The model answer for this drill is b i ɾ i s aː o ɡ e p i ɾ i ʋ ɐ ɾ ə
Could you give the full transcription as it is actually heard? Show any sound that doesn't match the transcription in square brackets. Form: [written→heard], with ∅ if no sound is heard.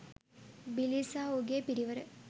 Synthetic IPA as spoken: b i [ɾ→l] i s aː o ɡ e p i ɾ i ʋ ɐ ɾ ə